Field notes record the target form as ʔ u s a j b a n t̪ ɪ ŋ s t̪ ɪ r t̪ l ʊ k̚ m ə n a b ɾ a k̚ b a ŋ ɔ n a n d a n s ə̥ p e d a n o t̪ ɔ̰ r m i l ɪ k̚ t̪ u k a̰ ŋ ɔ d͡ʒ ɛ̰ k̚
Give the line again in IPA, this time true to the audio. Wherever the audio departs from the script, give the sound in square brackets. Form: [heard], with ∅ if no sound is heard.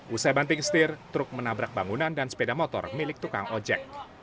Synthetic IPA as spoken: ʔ u s a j b a n t̪ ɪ ŋ s t̪ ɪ r t̪ [ɾ] ʊ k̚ m ə n a b ɾ a k̚ b a ŋ [u] n a n d a n s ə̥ p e d a [m] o t̪ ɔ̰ r m i l ɪ k̚ t̪ u k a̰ ŋ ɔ d͡ʒ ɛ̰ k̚